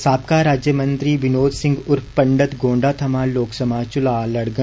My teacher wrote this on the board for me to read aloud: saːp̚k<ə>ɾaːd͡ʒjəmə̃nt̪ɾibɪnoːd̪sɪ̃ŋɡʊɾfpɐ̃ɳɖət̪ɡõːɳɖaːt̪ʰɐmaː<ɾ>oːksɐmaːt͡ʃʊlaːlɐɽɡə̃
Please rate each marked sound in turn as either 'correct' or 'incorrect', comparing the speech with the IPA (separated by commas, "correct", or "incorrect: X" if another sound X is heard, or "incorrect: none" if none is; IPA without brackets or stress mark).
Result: incorrect: a, incorrect: l